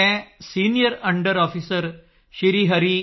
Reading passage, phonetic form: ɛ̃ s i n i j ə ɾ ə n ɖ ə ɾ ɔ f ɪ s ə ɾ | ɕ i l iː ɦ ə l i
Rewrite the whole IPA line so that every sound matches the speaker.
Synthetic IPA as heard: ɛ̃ s i n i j ə ɾ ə ɳ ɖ ə ɾ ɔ f i s ə ɾ | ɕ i ɾ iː ɦ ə ɾ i